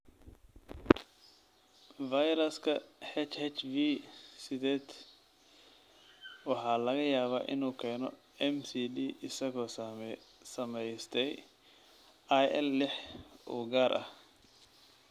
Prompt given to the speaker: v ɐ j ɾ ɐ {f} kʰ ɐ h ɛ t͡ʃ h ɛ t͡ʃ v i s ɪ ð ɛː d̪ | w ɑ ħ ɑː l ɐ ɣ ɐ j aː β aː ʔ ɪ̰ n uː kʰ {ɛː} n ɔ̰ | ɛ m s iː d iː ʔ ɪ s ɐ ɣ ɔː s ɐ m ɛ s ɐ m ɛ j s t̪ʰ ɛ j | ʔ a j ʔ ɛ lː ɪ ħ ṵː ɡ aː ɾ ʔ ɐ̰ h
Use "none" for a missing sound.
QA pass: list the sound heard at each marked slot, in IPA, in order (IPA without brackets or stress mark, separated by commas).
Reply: s, ɛː